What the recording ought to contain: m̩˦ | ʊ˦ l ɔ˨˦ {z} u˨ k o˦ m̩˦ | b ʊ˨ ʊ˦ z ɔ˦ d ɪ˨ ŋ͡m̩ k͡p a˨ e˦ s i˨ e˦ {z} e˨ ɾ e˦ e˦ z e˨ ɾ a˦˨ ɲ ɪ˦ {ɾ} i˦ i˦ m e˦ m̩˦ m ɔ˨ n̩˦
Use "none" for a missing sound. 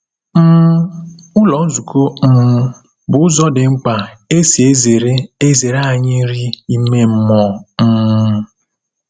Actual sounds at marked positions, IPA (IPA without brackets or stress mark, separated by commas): z, z, ɾ